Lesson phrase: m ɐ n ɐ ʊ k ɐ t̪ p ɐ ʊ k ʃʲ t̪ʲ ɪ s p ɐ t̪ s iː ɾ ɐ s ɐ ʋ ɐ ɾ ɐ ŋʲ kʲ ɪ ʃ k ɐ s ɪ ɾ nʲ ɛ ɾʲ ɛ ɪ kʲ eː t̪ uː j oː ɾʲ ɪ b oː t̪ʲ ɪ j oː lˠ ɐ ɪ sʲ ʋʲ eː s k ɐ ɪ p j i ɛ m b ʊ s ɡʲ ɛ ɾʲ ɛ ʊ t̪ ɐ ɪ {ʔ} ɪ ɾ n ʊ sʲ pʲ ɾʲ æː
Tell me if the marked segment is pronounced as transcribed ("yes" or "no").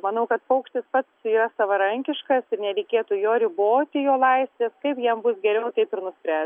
no